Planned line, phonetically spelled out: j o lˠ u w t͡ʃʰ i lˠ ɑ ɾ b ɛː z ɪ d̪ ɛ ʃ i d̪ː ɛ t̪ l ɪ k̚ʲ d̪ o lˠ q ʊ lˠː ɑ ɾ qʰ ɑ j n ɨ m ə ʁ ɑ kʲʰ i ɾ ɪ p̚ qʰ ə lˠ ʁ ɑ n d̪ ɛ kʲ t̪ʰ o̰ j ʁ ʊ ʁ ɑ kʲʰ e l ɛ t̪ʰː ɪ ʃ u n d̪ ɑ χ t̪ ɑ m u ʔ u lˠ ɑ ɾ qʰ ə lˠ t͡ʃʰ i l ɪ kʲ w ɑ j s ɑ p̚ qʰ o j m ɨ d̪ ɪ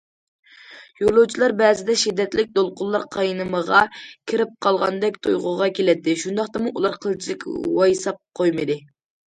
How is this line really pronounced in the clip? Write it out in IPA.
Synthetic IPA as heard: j o lˠ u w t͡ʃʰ i lˠ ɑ ɾ b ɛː z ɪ d̪ ɛ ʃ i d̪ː ɛ t̪ l ɪ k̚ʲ d̪ o lˠ q ʊ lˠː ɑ ɾ qʰ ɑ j n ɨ m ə ʁ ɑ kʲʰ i ɾ ɪ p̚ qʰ ɑ lˠ ʁ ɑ n d̪ ɛ kʲ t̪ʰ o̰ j ʁ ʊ ʁ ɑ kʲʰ e l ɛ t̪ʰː ɪ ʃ u n d̪ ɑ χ t̪ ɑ m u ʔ u lˠ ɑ ɾ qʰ ə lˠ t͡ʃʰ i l ɪ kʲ w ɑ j s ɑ p̚ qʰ o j m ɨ d̪ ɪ